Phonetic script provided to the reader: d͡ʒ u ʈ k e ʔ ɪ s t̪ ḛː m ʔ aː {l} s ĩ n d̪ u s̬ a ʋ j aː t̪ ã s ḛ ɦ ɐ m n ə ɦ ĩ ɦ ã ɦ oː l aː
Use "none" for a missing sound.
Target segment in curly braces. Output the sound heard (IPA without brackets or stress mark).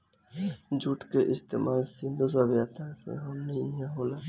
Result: l